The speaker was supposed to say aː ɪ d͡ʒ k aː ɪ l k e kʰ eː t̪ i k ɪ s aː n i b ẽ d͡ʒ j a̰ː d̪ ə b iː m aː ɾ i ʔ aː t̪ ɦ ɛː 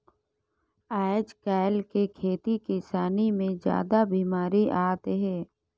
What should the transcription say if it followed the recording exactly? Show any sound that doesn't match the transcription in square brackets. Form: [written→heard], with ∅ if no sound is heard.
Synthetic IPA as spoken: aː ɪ d͡ʒ k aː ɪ l k e kʰ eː t̪ i k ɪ s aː n i [b→m] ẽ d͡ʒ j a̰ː d̪ [ə→a] b iː m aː ɾ i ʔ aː t̪ ɦ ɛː